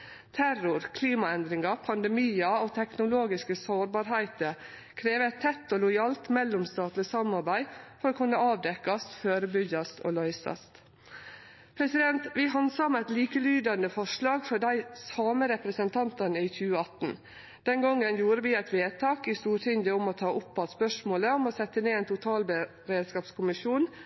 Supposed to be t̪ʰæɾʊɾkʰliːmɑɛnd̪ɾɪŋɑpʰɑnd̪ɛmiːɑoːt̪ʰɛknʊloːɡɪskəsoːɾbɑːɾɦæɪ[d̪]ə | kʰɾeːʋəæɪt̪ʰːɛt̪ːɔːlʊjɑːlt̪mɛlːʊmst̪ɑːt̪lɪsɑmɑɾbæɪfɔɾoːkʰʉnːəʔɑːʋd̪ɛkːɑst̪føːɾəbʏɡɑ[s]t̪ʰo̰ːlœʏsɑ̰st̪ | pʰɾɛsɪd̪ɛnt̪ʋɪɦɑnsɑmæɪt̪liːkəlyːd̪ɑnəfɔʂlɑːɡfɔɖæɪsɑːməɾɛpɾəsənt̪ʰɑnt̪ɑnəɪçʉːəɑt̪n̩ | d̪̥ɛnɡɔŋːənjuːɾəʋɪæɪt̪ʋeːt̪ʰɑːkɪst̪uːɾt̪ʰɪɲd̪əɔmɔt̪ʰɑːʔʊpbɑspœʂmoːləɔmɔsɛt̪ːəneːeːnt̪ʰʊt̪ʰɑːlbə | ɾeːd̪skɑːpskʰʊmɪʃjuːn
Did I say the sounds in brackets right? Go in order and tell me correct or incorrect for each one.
incorrect: t̪, correct

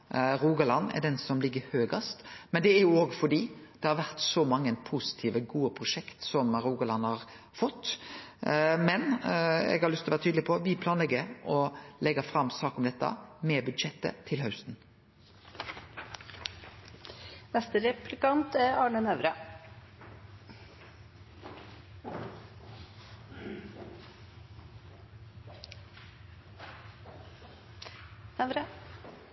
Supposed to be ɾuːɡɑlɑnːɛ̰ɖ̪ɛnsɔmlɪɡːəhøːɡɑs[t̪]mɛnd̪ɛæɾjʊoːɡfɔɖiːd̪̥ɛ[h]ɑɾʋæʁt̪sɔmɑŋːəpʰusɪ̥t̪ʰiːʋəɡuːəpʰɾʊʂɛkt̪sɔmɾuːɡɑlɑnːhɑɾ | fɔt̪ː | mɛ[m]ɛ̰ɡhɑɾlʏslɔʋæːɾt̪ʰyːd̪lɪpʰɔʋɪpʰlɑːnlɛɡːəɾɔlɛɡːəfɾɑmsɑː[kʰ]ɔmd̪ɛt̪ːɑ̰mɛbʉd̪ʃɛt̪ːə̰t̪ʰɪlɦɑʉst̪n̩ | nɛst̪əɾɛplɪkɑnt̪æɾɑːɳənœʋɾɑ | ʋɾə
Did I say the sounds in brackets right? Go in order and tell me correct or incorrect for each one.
correct, correct, incorrect: n, incorrect: k

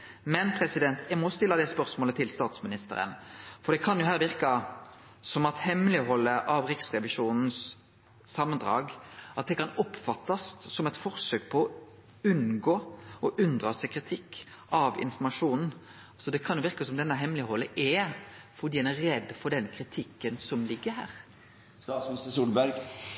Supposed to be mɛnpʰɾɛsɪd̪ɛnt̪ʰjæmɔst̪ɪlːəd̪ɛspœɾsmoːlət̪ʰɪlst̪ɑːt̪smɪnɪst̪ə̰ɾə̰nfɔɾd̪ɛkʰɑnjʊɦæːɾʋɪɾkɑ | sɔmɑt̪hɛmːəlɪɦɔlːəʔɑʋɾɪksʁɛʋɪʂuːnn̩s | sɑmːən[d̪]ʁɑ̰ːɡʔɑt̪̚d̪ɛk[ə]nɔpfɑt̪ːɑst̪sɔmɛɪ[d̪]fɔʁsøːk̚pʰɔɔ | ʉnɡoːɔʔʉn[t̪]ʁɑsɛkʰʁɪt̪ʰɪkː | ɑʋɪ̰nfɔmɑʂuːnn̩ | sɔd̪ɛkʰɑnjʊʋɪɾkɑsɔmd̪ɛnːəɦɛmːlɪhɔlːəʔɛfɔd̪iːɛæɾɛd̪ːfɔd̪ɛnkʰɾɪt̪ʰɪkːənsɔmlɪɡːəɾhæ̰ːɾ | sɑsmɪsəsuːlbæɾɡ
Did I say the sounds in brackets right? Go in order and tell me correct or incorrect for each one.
correct, incorrect: ɑ, incorrect: t̪, incorrect: d̪

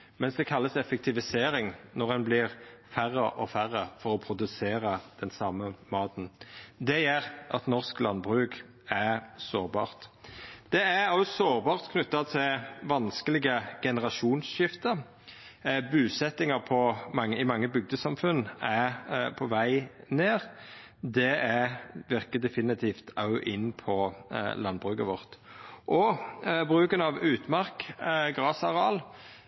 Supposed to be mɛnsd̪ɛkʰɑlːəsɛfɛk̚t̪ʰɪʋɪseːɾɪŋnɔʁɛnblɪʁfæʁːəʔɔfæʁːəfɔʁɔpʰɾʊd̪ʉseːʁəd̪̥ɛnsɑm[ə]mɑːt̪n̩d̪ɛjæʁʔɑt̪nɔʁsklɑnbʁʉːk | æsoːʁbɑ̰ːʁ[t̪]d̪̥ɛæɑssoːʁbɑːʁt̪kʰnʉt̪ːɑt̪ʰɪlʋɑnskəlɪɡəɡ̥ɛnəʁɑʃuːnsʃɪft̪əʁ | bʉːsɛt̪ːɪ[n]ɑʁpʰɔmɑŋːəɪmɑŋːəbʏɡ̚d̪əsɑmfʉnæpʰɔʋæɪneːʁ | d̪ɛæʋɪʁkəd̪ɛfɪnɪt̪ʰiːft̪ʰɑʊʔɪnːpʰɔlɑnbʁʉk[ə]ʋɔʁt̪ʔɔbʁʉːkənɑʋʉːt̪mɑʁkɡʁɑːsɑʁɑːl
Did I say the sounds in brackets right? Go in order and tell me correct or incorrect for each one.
correct, correct, incorrect: ŋ, correct

